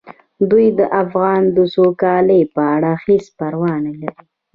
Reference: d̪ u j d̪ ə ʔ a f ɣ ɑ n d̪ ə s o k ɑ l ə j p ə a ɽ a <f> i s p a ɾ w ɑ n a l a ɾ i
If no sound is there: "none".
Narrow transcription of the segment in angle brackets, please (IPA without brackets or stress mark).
x